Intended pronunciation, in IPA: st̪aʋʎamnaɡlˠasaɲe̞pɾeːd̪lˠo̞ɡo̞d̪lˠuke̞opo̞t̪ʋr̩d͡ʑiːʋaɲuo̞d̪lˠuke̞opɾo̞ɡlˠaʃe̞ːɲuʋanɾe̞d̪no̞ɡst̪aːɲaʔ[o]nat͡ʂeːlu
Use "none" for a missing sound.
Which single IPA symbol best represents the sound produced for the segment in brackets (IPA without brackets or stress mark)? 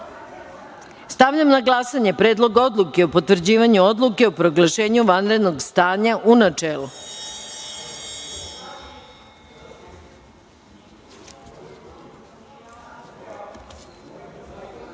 u